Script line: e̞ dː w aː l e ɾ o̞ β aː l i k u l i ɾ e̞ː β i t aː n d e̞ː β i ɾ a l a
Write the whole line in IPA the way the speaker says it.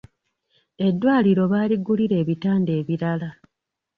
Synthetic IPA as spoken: e̞ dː w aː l i ɾ o̞ β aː l i ɡ u l i ɾ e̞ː β i t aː n d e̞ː β i ɾ a l a

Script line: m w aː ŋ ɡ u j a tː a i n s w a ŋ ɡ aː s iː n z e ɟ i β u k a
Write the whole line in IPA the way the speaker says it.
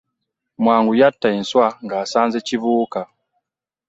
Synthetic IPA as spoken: m w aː ŋ ɡ u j a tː a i n s w a ŋ ɡ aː s aː n z e c i β uː k a

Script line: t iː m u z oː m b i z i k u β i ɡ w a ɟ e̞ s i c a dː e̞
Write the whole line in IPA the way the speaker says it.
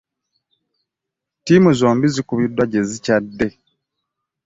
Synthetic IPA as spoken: t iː m u z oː m b i z i k u β i d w a ɟ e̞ z i c a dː e̞

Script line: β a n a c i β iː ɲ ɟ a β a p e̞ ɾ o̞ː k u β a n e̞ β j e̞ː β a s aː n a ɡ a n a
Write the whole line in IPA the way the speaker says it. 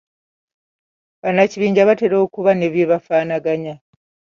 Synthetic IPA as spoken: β a n a c i β iː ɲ ɟ a β a t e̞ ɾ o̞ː k u β a n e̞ β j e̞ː β a f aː n a ɡ a ɲ a

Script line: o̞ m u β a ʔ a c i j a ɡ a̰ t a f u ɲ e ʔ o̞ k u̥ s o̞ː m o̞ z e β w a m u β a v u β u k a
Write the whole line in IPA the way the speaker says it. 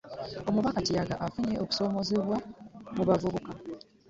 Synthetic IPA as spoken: o̞ m u β a k a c i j a ɡ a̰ ʔ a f u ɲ e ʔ o̞ k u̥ s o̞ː m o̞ z e β w a m u β a v u β u k a

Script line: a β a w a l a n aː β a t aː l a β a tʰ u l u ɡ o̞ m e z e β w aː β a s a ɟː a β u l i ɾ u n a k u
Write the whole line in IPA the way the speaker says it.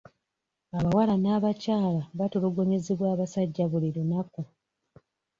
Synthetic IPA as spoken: a β a w a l a n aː β a c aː l a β a t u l u ɡ o̞ ɲ e z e β w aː β a s a ɟː a β u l i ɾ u n a k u

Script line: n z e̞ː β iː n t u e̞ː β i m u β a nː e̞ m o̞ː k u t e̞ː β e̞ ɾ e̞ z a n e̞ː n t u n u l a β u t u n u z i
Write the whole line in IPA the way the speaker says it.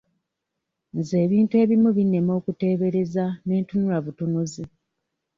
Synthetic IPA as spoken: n z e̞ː β iː n t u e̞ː β i m u β i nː e̞ m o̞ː k u t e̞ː β e̞ ɾ e̞ z a n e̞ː n t u n u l a β u t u n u z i

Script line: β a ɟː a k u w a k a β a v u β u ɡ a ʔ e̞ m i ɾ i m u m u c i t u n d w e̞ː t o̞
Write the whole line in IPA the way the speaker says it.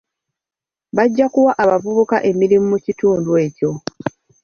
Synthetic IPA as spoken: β a ɟː a k u w a ʔ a β a v u β u k a ʔ e̞ m i ɾ i m u m u c i t uː n d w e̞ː c o̞

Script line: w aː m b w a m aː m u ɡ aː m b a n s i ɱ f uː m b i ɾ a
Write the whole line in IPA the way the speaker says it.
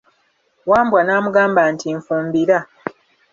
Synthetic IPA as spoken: w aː m b w a n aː m u ɡ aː m b a n t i ɱ f uː m b i ɾ a

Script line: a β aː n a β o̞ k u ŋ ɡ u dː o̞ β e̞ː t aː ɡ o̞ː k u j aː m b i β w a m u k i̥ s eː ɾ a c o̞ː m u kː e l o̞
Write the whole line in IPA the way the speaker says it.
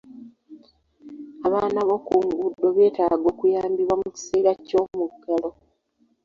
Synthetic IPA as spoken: a β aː n a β o̞ k u ŋ ɡ u dː o̞ β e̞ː t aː ɡ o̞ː k u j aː m b i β w a m u c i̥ s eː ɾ a c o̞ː m u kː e l o̞

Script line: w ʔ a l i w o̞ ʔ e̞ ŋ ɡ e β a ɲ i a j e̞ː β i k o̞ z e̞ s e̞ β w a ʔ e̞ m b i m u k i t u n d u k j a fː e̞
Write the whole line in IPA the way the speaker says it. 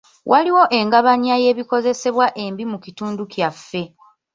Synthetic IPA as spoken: w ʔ a l i w o̞ ʔ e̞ ŋ ɡ a β a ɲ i a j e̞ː β i k o̞ z e̞ s e̞ β w a ʔ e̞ m b i m u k i t uː n d u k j a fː e̞

